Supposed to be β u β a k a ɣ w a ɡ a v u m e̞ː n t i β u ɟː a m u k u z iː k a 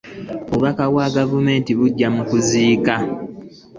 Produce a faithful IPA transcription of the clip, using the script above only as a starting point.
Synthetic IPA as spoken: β u β a k a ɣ w a ɡ a v u m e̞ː n t i β u ɟː a m u k u z iː k a

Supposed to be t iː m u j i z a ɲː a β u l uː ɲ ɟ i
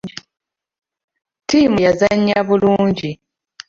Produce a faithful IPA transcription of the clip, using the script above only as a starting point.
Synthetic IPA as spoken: t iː m u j a z a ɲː a β u l uː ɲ ɟ i

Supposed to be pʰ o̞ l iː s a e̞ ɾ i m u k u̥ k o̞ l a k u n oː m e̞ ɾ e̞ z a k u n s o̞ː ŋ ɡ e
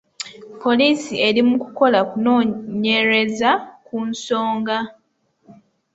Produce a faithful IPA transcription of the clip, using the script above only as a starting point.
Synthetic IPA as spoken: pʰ o̞ l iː s i e̞ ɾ i m u k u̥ k o̞ l a k u n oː ɲ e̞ ɾ e̞ z a k u n s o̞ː ŋ ɡ a

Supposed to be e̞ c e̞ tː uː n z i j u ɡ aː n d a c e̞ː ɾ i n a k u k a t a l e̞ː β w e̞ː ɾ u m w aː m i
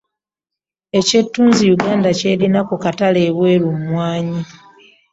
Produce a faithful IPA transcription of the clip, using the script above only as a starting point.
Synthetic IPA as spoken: e̞ c e̞ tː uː n z i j u ɡ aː n d a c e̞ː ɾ i n a k u k a t a l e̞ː β w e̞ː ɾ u m w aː ɲ i

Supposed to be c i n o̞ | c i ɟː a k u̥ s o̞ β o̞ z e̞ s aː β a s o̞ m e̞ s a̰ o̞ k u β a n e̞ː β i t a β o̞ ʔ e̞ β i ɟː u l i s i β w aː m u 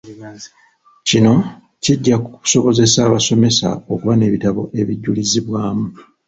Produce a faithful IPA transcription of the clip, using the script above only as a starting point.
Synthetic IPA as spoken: c i n o̞ | c i ɟː a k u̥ s o̞ β o̞ z e̞ s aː β a s o̞ m e̞ s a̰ o̞ k u β a n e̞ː β i t a β o̞ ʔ e̞ β i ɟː u l i z i β w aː m u

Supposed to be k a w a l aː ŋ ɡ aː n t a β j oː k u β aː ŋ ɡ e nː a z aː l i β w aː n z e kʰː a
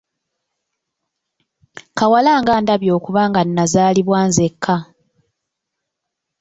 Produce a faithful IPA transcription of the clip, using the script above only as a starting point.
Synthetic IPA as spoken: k a w a l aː ŋ ɡ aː n d a β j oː k u β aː ŋ ɡ a nː a z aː l i β w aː n z e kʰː a

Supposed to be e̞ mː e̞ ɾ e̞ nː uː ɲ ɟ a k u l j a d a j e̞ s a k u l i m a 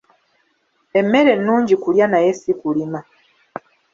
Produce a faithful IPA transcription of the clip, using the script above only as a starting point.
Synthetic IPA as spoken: e̞ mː e̞ ɾ e̞ nː uː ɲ ɟ i k u l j a n a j e̞ s i k u l i m a

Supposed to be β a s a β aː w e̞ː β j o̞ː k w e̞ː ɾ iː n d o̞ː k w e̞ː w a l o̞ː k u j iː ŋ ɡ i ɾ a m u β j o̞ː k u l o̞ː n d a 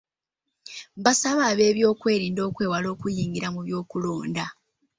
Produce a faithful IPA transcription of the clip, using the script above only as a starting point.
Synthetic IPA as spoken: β a s a β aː β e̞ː β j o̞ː k w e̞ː ɾ iː n d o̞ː k w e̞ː w a l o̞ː k u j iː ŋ ɡ i ɾ a m u β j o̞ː k u l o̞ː n d a

